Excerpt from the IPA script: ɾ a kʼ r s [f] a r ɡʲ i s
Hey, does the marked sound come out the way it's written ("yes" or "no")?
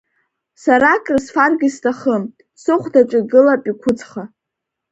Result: yes